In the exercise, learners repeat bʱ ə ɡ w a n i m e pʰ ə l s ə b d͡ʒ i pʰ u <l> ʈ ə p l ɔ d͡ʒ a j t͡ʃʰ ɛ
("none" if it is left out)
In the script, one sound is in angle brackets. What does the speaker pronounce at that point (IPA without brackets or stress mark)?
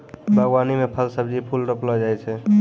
l